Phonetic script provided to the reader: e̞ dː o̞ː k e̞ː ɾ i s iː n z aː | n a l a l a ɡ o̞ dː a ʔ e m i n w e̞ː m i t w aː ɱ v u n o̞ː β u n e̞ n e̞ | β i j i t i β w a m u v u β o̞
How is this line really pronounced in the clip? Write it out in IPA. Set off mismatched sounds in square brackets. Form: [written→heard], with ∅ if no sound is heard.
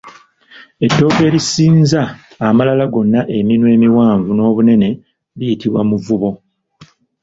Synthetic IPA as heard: e̞ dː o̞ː k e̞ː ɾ i s iː n z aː | [n→m] a l a l a ɡ o̞ [dː→nː] a ʔ e m i n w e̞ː m i [t→∅] w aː ɱ v u n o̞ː β u n e̞ n e̞ | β i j i t i β w a m u v u β o̞